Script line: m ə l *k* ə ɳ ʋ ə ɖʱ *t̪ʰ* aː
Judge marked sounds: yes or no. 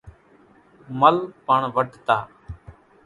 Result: no, no

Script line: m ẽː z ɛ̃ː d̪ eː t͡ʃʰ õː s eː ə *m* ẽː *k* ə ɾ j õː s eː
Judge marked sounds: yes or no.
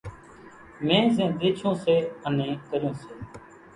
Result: no, yes

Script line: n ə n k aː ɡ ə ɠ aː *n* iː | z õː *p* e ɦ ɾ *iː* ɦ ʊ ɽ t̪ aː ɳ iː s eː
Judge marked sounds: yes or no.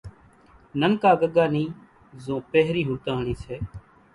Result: yes, yes, yes

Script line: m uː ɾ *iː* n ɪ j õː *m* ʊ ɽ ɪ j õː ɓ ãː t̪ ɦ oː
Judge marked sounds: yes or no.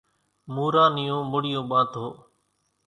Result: no, yes

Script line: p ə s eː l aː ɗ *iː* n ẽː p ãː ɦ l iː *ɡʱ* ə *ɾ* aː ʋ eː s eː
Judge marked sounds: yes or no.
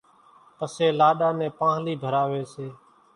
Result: no, no, yes

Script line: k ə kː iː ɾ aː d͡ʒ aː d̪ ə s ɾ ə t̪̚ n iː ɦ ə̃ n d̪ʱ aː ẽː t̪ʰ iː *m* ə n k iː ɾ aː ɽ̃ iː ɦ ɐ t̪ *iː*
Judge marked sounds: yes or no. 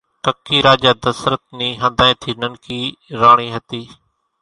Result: no, yes

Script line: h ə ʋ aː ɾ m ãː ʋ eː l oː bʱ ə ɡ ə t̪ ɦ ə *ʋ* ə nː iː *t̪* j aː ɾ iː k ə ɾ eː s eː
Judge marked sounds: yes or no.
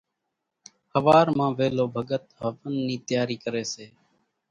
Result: yes, yes

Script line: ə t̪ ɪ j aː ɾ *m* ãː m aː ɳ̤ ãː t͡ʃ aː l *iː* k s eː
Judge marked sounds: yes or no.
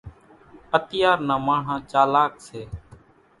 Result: no, no

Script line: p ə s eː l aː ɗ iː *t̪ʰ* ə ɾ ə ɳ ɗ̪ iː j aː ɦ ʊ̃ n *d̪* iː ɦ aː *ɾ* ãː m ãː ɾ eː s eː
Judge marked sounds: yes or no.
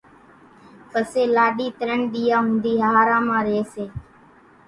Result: no, yes, yes

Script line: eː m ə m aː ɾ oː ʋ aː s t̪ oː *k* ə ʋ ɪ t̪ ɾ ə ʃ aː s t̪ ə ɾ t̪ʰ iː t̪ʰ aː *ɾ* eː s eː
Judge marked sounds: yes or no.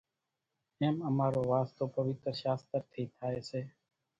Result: no, no

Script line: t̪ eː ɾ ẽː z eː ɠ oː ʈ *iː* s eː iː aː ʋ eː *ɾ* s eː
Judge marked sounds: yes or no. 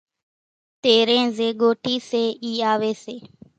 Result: yes, no

